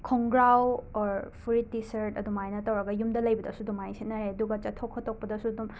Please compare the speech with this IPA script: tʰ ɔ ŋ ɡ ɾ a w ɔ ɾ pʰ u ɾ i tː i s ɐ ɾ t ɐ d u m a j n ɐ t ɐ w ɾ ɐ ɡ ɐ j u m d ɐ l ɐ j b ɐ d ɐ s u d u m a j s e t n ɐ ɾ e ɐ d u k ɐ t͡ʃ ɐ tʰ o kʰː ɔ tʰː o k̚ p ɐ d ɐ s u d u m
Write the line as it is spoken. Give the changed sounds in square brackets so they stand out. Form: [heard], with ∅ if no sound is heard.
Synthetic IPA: [kʰ] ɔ ŋ ɡ ɾ a w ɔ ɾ pʰ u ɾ i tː i s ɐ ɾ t ɐ d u m a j n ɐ t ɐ w ɾ ɐ ɡ ɐ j u m d ɐ l ɐ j b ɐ d ɐ s u d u m a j s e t n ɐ ɾ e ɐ d u [ɡ] ɐ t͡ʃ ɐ tʰ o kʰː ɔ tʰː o k̚ p ɐ d ɐ s u d u m